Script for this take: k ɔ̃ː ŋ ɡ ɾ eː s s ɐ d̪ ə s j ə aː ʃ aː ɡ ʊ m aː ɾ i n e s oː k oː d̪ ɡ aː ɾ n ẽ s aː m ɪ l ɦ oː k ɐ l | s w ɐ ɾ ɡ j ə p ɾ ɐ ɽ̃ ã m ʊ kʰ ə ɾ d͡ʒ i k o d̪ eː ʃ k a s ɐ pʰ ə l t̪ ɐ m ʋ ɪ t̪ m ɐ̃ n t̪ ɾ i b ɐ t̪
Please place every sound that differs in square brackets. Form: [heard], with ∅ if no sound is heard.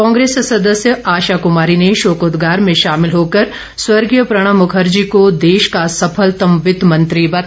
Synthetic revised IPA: k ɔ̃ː ŋ ɡ ɾ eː s s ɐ d̪ ə s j ə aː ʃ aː [k] ʊ m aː ɾ i n e [ʃ] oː k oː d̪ ɡ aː ɾ [m] ẽ [ʃ] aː m ɪ l ɦ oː k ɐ [ɾ] | s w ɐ ɾ ɡ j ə p ɾ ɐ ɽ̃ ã m ʊ kʰ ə ɾ d͡ʒ i k o d̪ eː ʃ k a s ɐ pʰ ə l t̪ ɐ m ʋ ɪ t̪ m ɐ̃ n t̪ ɾ i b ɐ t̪